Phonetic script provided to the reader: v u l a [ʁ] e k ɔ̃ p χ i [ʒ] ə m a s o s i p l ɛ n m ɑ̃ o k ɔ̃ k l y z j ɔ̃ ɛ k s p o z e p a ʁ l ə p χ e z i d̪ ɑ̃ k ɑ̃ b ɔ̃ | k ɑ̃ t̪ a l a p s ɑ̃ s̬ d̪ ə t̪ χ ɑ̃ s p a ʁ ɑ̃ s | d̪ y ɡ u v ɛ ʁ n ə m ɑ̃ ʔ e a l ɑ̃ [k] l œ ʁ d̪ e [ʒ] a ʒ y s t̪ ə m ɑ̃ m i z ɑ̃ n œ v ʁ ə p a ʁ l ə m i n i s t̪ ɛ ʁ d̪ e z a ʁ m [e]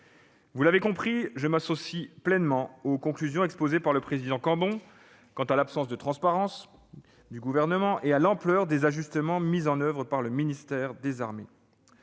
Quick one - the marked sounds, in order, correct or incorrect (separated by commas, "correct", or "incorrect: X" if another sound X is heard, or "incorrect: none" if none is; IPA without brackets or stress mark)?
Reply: incorrect: v, correct, incorrect: p, incorrect: z, correct